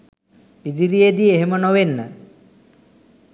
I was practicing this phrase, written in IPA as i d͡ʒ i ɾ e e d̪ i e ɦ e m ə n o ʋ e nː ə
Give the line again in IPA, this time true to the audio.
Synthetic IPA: i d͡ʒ i ɾ i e d̪ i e ɦ e m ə n o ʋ e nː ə